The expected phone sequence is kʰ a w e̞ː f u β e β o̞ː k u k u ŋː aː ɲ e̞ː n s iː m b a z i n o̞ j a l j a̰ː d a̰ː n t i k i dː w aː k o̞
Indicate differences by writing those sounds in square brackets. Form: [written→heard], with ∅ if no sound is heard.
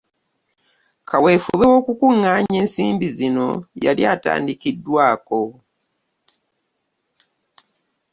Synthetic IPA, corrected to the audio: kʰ a w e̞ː f u β e [β→w] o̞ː k u k u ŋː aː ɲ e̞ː n s iː m b [a→i] z i n o̞ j a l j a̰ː [d→t] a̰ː n [t→d] i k i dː w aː k o̞